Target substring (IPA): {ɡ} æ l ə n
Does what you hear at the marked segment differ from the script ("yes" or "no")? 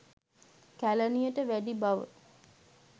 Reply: yes